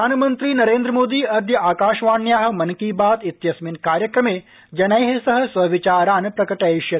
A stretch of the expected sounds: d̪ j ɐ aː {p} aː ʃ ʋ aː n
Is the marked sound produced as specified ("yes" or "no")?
no